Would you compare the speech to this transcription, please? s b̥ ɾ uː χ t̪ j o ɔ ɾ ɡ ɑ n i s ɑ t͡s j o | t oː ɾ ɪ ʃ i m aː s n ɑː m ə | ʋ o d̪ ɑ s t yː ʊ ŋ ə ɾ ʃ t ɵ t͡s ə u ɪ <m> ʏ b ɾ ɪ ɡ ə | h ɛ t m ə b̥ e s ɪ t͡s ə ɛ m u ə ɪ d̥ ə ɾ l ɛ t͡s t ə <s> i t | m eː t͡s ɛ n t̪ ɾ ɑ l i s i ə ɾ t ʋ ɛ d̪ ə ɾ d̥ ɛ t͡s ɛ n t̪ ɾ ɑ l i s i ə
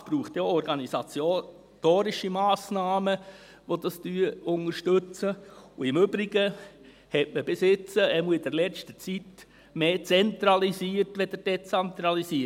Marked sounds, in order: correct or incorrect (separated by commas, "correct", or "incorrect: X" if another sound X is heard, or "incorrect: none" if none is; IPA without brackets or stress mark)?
correct, incorrect: t͡s